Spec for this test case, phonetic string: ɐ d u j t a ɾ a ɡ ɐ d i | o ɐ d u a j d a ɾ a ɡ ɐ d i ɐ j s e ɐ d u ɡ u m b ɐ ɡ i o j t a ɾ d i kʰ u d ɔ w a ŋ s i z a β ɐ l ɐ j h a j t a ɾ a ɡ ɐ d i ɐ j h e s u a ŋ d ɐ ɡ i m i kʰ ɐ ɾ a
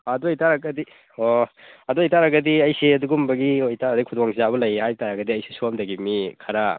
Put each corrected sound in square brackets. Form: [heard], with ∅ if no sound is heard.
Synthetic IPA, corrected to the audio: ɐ d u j t a ɾ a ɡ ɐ d i | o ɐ d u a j [t] a ɾ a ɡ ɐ d i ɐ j s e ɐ d u ɡ u m b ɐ ɡ i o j t a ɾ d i kʰ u d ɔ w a ŋ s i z a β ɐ l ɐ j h a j t a ɾ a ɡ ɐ d i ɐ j [s] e s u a [m] d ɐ ɡ i m i kʰ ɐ ɾ a